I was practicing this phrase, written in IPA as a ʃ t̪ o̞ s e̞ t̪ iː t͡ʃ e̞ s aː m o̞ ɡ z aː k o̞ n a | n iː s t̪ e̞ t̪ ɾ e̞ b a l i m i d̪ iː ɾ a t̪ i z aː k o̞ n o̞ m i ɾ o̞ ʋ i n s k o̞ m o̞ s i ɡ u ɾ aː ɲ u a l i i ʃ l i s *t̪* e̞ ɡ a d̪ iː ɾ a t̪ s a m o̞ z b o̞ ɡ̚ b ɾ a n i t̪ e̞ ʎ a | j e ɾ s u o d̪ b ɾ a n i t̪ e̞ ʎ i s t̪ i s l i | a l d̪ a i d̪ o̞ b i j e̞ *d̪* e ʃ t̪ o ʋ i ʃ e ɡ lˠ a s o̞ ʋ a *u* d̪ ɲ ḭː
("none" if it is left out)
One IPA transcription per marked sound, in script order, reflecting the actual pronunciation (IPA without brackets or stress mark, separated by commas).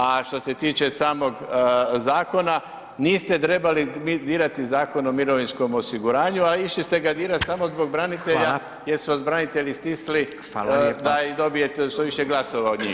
t̪, t̪, o